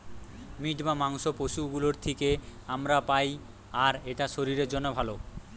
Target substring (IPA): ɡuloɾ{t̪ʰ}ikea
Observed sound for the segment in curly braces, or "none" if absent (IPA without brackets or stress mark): t̪ʰ